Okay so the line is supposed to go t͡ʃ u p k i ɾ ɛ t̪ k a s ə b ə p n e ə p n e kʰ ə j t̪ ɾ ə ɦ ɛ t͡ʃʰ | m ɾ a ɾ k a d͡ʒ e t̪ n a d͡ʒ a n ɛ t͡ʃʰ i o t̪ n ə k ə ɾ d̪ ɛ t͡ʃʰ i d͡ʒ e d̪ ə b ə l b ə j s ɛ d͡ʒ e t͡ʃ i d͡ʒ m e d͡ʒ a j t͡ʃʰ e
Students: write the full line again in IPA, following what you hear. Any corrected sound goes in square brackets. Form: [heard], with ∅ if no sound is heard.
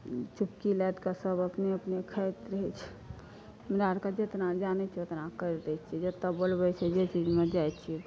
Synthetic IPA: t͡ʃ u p k i [l] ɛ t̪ k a s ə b ə p n e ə p n e kʰ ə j t̪ ɾ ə ɦ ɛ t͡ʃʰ | m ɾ a ɾ k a d͡ʒ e t̪ n a d͡ʒ a n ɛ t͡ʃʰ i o t̪ n [a] k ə ɾ d̪ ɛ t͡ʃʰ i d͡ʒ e [t̪] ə b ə l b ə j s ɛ d͡ʒ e t͡ʃ i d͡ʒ m e d͡ʒ a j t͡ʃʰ [i]